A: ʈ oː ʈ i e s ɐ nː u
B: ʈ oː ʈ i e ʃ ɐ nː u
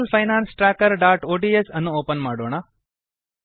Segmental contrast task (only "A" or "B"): A